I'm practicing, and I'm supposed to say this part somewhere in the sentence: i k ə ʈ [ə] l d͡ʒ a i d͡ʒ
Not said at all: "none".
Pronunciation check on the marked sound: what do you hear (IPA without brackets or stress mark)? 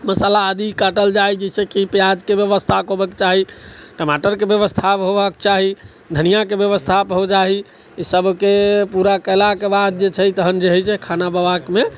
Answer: ə